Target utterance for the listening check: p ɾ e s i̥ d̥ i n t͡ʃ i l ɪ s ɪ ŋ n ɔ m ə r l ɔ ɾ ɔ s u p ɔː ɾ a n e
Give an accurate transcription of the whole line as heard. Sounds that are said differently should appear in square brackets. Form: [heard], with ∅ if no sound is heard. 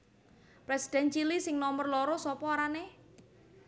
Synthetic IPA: p ɾ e s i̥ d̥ [ɛ] n t͡ʃ i l [i] s ɪ ŋ n ɔ m ə r l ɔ ɾ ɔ s [ɔ] p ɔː ɾ a n e